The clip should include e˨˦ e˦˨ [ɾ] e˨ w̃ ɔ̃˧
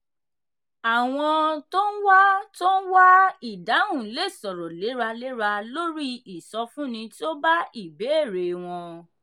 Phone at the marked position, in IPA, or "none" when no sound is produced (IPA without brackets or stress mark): ɾ